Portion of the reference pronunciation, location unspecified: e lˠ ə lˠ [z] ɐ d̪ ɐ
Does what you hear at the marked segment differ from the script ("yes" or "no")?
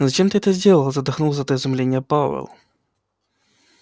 no